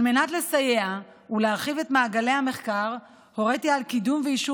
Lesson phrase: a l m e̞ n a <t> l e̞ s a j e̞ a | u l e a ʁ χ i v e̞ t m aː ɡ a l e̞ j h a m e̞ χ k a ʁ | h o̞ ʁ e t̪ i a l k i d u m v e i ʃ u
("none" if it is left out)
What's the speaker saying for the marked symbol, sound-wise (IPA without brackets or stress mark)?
t